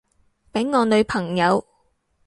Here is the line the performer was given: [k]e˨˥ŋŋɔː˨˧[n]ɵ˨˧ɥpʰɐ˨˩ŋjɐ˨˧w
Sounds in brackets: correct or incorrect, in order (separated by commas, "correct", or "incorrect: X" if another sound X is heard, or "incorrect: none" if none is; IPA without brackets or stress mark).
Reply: incorrect: p, correct